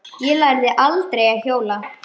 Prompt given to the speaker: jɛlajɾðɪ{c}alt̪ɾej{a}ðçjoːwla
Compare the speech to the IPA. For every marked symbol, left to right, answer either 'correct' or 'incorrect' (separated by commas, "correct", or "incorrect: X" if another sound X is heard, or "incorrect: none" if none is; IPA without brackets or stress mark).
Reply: incorrect: ʔ, correct